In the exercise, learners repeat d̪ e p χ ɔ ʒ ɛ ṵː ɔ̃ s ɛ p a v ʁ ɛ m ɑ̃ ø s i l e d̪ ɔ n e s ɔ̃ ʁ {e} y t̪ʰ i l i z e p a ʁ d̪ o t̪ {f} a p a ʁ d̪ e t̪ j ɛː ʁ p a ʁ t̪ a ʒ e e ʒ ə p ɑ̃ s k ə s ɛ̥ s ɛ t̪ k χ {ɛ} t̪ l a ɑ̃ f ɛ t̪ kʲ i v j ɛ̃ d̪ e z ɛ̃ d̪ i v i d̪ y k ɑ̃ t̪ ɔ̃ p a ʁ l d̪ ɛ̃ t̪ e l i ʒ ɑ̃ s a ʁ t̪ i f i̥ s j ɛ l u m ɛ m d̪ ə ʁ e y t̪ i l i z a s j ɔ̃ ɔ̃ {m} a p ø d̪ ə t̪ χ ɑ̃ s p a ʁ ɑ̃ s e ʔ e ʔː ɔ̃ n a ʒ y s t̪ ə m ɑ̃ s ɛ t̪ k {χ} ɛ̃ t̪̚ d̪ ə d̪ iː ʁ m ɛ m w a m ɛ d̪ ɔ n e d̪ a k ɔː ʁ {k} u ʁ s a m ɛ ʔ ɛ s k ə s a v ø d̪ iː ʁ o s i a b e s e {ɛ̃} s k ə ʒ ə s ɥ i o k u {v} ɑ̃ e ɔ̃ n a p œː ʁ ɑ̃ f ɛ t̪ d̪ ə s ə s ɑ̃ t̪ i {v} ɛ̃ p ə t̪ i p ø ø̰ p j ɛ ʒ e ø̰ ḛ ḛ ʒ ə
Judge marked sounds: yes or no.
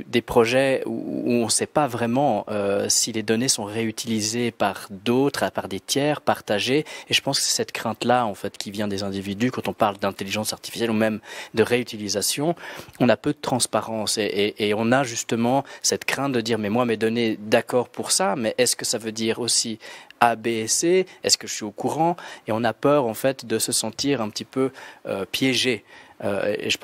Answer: yes, no, no, no, yes, no, no, no, no

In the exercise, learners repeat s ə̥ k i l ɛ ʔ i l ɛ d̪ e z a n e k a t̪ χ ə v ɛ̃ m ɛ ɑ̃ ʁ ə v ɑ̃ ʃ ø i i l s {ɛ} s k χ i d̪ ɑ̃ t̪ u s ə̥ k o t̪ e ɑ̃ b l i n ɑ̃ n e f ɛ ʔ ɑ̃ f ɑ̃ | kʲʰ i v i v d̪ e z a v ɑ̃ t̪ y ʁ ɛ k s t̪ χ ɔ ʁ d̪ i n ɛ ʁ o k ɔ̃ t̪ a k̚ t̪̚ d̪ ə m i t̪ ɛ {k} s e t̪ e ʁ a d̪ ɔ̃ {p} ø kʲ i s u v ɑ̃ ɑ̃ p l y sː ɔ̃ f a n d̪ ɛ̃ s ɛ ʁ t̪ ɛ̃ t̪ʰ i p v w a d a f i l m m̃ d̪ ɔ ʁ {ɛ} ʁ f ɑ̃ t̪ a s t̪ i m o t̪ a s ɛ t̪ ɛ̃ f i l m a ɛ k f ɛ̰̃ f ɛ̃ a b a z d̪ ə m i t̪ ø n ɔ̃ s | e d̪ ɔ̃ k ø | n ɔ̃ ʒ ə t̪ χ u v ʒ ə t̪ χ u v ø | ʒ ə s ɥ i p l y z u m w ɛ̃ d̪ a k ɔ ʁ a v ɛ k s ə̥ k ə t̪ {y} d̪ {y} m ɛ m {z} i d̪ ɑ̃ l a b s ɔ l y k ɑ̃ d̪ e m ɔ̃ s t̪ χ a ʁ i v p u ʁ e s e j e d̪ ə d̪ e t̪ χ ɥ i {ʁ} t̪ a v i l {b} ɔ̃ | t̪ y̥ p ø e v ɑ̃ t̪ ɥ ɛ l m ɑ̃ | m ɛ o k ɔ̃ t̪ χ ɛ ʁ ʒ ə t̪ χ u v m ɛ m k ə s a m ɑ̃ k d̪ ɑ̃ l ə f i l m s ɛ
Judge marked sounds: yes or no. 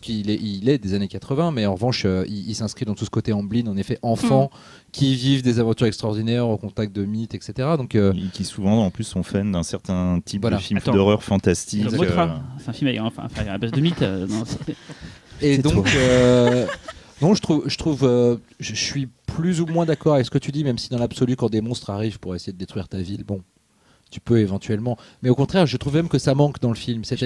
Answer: no, yes, no, no, yes, no, no, yes, yes

